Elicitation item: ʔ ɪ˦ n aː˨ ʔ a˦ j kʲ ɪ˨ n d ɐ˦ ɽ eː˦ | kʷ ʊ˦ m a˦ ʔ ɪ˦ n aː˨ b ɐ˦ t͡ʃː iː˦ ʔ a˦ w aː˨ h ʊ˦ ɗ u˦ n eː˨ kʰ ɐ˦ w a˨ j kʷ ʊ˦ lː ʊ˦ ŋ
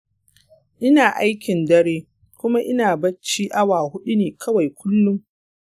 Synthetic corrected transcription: ʔ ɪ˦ n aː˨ ʔ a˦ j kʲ ɪ˨ n d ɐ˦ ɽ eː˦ | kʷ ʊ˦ m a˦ ʔ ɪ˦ n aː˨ b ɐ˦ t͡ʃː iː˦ ʔ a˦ w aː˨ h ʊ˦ ɗ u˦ n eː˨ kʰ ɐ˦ w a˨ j kʷ ʊ˦ lː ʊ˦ ŋ